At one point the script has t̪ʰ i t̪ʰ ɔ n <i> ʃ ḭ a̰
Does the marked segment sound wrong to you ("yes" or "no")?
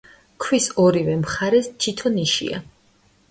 no